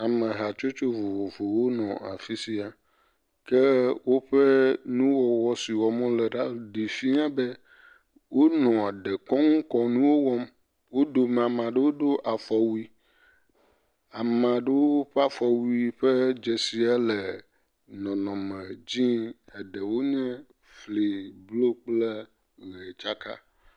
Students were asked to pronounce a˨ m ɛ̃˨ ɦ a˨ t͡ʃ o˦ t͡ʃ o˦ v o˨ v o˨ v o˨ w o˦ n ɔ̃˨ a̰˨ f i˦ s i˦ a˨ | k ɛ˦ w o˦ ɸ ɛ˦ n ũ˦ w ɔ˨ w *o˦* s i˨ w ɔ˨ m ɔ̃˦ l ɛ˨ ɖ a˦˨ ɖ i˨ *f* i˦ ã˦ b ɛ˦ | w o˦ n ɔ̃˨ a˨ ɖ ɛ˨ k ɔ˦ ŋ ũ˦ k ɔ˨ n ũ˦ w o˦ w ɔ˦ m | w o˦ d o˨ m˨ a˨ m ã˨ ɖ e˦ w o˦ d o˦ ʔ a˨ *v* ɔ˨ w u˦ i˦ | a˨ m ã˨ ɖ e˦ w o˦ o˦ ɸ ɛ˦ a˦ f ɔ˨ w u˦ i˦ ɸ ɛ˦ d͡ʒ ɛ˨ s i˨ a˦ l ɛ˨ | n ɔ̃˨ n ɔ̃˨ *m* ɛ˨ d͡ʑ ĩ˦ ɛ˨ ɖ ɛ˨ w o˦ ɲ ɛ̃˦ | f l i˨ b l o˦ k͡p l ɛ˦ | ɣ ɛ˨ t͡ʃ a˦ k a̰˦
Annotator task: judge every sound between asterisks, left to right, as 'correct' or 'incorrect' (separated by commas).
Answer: incorrect, correct, incorrect, correct